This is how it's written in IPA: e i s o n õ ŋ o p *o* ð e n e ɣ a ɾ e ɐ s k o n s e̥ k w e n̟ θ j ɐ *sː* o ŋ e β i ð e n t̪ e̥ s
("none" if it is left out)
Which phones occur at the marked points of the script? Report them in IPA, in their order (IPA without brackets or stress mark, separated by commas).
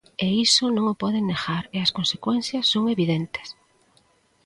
ɔ, sː